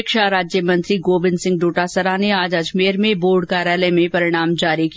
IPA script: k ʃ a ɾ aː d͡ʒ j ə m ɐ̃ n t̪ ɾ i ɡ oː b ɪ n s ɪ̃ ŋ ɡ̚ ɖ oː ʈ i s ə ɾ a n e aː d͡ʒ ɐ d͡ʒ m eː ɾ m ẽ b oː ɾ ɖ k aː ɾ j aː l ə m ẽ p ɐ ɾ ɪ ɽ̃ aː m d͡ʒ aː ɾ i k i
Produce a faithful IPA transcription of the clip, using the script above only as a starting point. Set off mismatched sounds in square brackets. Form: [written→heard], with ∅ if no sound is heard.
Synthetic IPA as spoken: k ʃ a ɾ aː d͡ʒ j ə m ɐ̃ n t̪ ɾ i ɡ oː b ɪ n s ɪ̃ ŋ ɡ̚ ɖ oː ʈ [i→a] s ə ɾ a n e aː d͡ʒ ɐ d͡ʒ m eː ɾ m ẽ b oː ɾ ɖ k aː ɾ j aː l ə m ẽ p ɐ ɾ ɪ ɽ̃ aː m d͡ʒ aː ɾ i k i